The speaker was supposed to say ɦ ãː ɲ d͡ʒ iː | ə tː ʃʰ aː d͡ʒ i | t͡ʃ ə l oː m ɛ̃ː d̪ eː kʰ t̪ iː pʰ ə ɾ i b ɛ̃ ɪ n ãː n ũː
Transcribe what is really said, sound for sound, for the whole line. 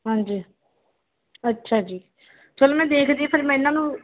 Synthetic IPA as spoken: ɦ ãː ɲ d͡ʒ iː | ə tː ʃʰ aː d͡ʒ iː | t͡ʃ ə l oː m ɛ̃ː d̪ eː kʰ d̪ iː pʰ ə ɾ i m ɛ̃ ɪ n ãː n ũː